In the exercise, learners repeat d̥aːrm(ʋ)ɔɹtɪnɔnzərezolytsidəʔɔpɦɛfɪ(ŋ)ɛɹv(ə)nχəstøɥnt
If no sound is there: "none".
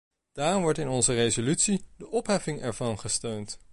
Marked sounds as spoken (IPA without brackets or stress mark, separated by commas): ʋ, ŋ, ɑ